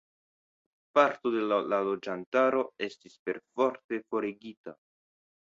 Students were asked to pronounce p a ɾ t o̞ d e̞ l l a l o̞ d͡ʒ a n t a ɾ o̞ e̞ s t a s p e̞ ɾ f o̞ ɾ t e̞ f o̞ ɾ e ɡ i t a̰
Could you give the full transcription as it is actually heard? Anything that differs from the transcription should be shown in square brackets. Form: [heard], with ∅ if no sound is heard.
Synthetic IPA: p a ɾ t o̞ d e̞ l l a l o̞ d͡ʒ a n t a ɾ o̞ e̞ s t [i] s p e̞ ɾ f o̞ ɾ t e̞ f o̞ ɾ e ɡ i t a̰